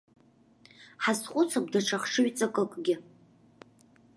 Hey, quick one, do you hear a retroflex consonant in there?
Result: yes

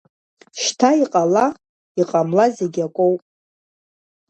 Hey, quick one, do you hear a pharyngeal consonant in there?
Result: no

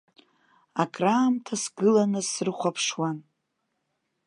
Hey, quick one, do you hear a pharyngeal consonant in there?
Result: no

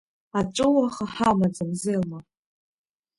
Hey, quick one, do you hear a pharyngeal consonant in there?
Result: yes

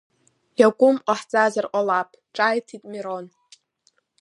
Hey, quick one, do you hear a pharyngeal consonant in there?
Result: yes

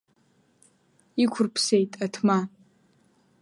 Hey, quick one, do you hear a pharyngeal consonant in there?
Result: no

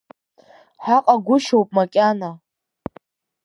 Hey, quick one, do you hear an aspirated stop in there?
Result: no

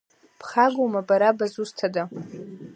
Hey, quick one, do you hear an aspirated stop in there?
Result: yes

